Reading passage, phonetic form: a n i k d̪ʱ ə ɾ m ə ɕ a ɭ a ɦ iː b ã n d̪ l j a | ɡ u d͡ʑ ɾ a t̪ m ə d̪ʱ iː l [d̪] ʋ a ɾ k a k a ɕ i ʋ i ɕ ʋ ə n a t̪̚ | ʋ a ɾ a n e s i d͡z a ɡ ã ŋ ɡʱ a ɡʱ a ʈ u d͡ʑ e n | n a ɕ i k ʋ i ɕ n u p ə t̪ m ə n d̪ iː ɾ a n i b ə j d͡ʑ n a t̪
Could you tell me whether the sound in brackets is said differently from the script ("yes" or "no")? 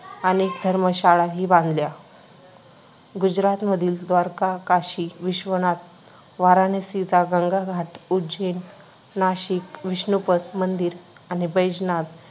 no